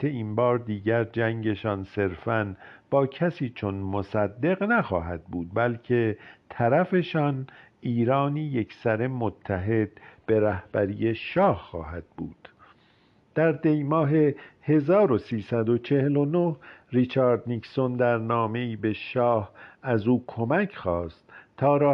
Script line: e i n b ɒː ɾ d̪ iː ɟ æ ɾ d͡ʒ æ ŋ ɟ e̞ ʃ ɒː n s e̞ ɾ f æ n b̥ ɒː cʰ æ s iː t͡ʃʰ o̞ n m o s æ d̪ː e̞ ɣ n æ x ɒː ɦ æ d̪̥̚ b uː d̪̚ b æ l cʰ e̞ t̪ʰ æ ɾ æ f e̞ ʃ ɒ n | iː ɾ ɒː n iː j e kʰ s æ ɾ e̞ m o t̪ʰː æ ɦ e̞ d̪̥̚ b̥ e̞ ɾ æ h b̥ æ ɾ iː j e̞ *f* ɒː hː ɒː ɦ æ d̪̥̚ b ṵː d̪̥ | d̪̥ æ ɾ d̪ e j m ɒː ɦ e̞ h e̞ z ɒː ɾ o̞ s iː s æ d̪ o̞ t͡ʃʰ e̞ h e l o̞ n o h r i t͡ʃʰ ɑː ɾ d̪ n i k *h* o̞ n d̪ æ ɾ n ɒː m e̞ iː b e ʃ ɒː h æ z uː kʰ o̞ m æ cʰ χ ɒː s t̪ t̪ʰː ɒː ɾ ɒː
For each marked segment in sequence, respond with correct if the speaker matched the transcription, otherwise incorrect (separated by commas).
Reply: incorrect, incorrect